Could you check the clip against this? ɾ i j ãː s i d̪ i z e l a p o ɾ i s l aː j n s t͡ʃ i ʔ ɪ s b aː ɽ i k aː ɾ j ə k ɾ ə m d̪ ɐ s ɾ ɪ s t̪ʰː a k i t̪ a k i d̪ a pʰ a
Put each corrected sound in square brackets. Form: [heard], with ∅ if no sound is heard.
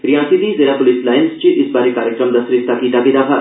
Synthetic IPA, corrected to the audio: ɾ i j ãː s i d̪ i z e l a p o [l] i s l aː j n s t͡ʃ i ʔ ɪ s b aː [ɾ] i k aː ɾ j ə k ɾ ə m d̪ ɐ s ɾ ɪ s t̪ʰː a k i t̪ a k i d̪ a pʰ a